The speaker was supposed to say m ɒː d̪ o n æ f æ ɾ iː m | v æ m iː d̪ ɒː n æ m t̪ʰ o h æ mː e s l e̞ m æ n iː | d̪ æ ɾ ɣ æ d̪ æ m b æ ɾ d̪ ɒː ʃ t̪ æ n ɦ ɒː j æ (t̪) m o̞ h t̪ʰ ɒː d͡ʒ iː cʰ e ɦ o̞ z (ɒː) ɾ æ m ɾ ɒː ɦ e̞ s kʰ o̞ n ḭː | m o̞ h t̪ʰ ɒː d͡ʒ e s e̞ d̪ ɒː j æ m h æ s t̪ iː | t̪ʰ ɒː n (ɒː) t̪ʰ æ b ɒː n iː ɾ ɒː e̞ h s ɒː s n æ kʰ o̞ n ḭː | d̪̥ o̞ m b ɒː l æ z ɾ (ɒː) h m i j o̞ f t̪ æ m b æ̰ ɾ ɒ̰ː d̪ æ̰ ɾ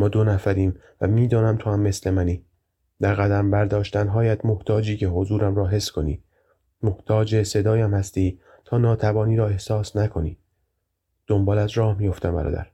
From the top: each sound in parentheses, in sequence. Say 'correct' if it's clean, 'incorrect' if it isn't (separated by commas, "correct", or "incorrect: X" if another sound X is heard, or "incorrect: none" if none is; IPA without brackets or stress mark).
incorrect: d̪, incorrect: uː, correct, correct